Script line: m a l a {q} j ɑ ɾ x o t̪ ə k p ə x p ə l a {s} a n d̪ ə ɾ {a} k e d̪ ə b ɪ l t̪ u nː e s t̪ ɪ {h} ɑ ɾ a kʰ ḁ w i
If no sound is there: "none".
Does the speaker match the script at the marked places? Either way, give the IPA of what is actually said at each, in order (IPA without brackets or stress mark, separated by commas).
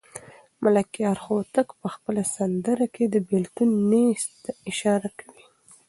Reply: k, s, a, ʃ